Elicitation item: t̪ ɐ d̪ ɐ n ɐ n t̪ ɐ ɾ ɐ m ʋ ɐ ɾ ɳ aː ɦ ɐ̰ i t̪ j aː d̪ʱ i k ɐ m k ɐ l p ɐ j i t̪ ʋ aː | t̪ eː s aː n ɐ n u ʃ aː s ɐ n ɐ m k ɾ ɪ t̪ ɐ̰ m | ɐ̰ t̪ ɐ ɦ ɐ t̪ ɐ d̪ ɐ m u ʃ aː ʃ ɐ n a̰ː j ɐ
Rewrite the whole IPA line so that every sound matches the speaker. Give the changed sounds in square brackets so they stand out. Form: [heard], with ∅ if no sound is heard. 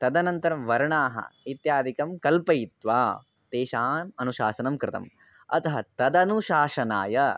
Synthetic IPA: t̪ ɐ d̪ ɐ n ɐ n t̪ ɐ ɾ ɐ m ʋ ɐ ɾ ɳ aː ɦ ɐ̰ i t̪ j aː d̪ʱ i k ɐ m k ɐ l p ɐ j i t̪ ʋ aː | t̪ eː [ʃ] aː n ɐ n u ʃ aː s ɐ n ɐ m k ɾ ɪ t̪ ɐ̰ m | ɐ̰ t̪ ɐ ɦ ɐ t̪ ɐ d̪ ɐ [n] u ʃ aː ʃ ɐ n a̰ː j ɐ